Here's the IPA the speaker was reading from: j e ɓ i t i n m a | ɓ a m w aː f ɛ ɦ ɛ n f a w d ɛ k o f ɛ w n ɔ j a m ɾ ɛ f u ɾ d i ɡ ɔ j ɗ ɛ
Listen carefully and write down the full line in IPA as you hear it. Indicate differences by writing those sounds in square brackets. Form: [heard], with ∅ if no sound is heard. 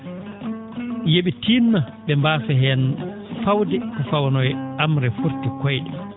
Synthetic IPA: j e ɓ i t i n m a | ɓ [ɛ] m [b] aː f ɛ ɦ ɛ n f a w d ɛ k [ɔ] f [a] w n ɔ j a m ɾ ɛ f u ɾ [t] i [k] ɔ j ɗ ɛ

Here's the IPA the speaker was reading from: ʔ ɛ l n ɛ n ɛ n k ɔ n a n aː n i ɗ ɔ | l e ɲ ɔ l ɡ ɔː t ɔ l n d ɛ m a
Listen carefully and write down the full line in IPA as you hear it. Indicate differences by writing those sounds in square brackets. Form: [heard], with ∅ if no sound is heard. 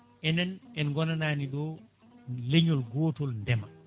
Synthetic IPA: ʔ ɛ [∅] n ɛ n ɛ n [ɡ] ɔ n a n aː n i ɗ ɔ | l e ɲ ɔ l ɡ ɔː t ɔ l n d ɛ m a

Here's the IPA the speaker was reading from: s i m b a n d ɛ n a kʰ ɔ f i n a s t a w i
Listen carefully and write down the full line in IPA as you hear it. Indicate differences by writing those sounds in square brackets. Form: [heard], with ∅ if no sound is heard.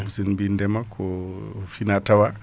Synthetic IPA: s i [n] b [i] n d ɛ [m] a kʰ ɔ f i n a [∅] t a w [a]

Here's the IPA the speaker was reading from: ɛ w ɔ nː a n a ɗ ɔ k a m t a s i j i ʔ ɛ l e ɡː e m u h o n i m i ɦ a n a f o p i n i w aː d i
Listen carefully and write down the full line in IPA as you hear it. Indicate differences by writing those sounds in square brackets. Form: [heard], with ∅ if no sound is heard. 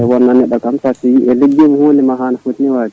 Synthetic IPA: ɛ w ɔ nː a n [ɛ] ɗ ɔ k a m t a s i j i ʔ ɛ l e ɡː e m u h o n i m [a] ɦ a n a f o [t] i n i w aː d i

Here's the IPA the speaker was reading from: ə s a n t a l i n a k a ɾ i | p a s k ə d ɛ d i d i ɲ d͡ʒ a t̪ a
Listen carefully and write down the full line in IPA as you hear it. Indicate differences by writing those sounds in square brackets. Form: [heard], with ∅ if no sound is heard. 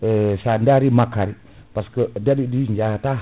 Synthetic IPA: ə s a n [d] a [ɾ] i [m] a k a ɾ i | p a s k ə d [a] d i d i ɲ d͡ʒ a t̪ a

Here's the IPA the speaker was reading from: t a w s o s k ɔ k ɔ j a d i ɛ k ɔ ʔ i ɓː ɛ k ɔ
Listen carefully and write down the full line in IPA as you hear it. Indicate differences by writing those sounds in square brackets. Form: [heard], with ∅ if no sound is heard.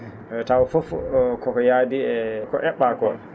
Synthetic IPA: t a w [f] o [f] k ɔ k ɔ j a d i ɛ k ɔ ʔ [ɛ] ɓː [a] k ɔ

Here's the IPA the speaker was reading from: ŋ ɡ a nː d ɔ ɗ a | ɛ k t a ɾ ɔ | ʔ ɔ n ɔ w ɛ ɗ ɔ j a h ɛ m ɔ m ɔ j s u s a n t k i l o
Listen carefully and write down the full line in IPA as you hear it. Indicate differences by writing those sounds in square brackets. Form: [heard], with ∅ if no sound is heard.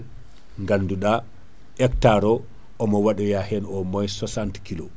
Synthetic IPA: ŋ ɡ a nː d [u] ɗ a | ɛ k t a ɾ ɔ | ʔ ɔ [m] ɔ w [a] ɗ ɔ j a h ɛ [n] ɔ m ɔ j s [ɔ] s a n t k i l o

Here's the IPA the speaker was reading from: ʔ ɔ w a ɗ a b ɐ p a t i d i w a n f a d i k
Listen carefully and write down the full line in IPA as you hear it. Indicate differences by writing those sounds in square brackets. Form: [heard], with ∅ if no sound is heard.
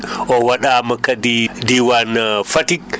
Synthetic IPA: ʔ ɔ w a ɗ a [m] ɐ [k] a [d] i d i w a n f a [t] i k

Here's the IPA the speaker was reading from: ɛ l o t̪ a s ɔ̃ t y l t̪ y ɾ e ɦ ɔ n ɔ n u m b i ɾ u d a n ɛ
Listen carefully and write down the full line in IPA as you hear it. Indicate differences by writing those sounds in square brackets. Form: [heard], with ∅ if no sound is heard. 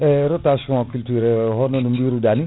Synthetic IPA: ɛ [ɾ] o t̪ a s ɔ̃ [k] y l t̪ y ɾ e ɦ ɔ n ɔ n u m b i ɾ u d a n [i]

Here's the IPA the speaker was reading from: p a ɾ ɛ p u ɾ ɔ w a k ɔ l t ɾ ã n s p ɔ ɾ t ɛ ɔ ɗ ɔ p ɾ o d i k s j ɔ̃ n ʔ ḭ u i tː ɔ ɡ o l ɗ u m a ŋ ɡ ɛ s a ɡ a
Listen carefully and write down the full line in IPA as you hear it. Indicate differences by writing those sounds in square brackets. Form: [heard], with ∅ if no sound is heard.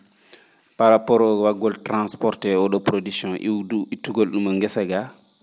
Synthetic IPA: p a ɾ [a] p [ɔ] ɾ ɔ w a [ɡ] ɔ l t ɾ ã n s p ɔ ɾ t ɛ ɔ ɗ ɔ p ɾ o d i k s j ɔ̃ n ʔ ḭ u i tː [u] ɡ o l ɗ u m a ŋ ɡ ɛ s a ɡ a

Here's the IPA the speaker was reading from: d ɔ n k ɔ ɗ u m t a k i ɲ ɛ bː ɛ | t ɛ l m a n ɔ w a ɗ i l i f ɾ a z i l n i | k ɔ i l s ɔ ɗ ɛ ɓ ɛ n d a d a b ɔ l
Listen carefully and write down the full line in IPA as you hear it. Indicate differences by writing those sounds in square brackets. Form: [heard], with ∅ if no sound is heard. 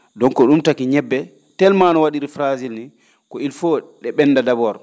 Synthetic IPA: d ɔ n k ɔ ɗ u m t a k i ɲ ɛ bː ɛ | t ɛ l m a n ɔ w a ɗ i [ɾ] i f ɾ a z i l n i | k ɔ i l [f] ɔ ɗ ɛ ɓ ɛ n d a d a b ɔ [ɾ]

